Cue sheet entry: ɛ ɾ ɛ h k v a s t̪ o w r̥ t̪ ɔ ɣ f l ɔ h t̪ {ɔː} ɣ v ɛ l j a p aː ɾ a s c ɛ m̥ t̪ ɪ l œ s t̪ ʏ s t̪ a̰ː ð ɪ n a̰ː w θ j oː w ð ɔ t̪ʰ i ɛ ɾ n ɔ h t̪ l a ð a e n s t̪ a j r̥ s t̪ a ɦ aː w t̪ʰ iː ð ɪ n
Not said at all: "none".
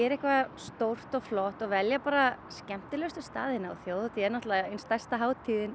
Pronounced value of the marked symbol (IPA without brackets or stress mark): ɔ